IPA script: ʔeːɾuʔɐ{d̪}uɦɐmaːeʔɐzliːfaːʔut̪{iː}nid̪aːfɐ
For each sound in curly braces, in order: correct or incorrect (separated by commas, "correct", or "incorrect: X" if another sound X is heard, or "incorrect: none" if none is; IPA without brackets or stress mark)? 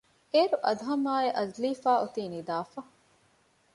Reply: correct, correct